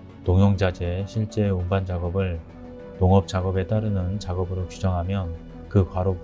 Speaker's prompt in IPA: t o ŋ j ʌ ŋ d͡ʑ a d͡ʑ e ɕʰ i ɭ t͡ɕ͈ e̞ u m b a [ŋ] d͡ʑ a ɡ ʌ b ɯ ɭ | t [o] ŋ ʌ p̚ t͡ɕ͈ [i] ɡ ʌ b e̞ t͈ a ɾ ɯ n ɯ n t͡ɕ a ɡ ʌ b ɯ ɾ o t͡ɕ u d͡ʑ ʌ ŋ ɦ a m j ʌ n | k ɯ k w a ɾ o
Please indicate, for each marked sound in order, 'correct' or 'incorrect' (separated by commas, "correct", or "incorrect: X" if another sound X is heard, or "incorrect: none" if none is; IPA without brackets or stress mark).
incorrect: n, correct, incorrect: a